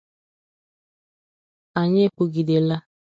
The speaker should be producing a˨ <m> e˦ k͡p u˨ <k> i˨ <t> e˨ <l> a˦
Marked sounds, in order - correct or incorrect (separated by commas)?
incorrect, incorrect, incorrect, correct